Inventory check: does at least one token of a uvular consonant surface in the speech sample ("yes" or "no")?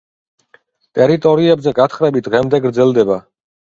yes